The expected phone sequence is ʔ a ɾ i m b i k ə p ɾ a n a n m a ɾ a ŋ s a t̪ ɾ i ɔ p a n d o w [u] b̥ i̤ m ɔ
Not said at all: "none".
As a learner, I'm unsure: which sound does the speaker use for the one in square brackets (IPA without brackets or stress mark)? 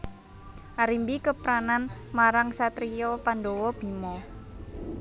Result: ɔ